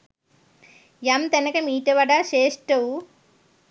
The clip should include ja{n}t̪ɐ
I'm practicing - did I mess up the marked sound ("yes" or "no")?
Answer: yes